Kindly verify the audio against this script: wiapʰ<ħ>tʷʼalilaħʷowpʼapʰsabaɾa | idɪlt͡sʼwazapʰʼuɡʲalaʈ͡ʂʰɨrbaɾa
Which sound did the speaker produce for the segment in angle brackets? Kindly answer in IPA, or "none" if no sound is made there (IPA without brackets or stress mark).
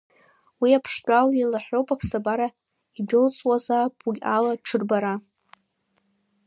ʂ